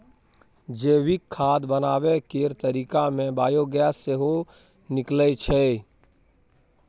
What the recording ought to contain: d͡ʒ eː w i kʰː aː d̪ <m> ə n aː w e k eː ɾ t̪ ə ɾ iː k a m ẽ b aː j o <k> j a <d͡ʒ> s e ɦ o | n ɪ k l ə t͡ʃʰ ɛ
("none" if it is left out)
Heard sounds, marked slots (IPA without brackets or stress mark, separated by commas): b, ɡ, none